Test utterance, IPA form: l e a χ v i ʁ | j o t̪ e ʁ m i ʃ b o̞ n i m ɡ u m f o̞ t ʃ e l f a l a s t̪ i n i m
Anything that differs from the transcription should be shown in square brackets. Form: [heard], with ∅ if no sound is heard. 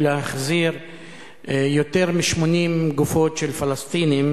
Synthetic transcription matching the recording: l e a χ [z] i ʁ | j o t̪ e ʁ m i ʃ [m] o̞ n i m ɡ u [∅] f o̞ t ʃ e l f a l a s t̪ i n i m